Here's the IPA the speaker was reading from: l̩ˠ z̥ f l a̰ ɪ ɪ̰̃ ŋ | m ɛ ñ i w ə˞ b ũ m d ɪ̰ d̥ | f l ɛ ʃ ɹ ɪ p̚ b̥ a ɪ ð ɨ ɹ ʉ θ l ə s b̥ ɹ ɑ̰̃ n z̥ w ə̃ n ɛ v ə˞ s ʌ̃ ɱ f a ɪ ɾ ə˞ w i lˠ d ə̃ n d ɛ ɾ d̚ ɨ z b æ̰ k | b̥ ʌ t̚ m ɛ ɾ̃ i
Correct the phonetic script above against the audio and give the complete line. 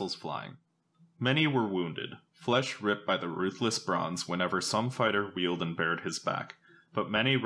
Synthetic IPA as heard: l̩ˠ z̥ f l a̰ ɪ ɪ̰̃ ŋ | m ɛ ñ i w ə˞ w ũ n d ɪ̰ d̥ | f l ɛ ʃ ɹ ɪ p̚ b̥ a ɪ ð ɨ ɹ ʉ θ l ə s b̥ ɹ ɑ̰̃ n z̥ w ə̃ n ɛ v ə˞ s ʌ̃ ɱ f a ɪ ɾ ə˞ w i lˠ d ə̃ n b ɛ ɹ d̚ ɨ z b æ̰ k | b̥ ʌ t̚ m ɛ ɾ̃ i